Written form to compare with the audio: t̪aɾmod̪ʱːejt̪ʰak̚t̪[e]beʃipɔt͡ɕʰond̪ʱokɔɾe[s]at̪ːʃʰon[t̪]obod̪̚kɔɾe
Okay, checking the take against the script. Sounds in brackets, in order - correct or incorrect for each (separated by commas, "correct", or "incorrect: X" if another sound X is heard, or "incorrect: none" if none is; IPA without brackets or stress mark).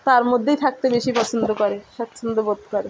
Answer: correct, incorrect: ʃ, incorrect: d̪